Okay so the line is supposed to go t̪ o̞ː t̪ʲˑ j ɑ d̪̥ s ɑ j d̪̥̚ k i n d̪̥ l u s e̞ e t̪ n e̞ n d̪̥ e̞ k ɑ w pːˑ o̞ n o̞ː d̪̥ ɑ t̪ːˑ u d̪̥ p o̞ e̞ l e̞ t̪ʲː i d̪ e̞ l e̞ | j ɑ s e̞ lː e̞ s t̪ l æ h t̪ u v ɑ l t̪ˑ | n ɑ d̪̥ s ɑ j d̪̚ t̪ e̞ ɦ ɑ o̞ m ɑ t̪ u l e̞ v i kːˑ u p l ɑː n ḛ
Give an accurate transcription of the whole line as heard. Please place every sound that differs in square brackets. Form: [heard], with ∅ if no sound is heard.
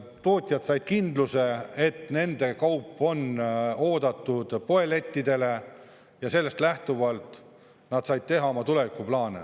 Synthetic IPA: t̪ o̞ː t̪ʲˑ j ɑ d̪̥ s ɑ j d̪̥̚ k i n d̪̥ l u s e̞ e t̪ n e̞ n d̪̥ e̞ k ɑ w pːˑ o̞ n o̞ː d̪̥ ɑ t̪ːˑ u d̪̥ p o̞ e̞ l e̞ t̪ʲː i d̪ e̞ l e̞ | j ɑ s e̞ lː e̞ s t̪ l æ h t̪ u v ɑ l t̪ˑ | n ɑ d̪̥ s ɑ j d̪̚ t̪ e̞ ɦ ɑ o̞ m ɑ t̪ u l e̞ v i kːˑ u p l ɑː n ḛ